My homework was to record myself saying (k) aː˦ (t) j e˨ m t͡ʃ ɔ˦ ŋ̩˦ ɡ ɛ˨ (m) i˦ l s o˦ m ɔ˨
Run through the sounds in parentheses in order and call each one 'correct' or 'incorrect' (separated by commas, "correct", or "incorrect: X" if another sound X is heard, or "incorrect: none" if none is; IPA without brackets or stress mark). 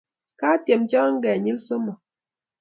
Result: correct, correct, incorrect: ɲ